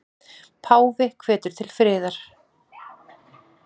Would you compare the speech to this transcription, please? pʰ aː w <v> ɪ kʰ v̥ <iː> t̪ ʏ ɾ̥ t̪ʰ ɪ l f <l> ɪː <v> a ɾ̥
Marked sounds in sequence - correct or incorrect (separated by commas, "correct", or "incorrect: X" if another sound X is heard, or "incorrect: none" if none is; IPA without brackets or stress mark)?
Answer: correct, incorrect: ɛː, incorrect: ɾ, incorrect: ð